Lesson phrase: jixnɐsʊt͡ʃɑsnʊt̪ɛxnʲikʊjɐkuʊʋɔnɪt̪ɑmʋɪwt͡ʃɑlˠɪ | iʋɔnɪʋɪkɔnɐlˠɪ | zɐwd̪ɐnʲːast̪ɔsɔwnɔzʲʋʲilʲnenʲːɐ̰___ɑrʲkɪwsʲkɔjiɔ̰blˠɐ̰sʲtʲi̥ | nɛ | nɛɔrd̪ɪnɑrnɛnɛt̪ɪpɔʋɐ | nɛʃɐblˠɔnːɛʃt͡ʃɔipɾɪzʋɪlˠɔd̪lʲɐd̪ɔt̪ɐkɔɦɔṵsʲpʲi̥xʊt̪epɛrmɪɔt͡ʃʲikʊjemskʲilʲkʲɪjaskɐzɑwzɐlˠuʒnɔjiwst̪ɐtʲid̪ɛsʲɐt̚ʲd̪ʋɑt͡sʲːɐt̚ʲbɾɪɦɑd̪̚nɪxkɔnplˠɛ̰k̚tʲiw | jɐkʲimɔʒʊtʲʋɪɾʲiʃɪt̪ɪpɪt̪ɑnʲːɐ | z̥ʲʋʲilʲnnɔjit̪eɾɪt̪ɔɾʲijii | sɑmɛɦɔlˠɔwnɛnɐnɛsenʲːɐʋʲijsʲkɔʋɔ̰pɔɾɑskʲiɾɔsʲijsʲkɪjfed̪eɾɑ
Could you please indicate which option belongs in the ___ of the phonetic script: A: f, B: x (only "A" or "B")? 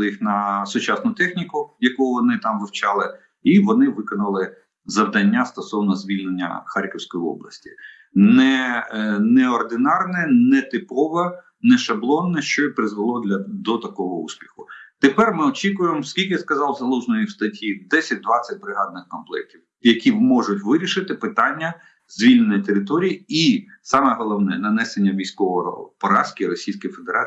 B